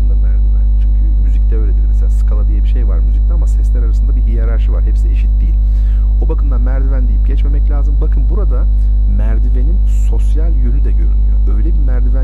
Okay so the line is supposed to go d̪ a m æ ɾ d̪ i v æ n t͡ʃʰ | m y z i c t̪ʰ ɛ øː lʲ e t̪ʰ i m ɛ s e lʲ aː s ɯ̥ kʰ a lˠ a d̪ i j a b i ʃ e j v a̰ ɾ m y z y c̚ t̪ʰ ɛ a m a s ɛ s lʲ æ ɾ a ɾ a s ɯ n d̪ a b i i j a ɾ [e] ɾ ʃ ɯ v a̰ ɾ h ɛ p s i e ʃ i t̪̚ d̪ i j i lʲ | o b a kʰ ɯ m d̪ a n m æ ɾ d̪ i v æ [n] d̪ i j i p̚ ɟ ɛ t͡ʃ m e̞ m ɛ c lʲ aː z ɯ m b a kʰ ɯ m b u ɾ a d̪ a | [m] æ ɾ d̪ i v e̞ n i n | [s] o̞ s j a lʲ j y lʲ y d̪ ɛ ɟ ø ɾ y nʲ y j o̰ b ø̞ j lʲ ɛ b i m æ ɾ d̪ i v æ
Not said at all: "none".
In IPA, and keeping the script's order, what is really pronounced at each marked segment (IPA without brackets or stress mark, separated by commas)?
a, n, m, s